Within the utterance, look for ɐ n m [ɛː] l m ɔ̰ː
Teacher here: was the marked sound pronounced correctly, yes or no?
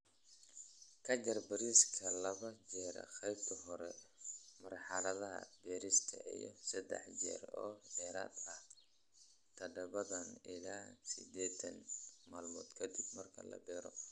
no